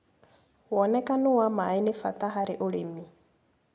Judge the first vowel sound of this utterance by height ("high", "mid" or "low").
mid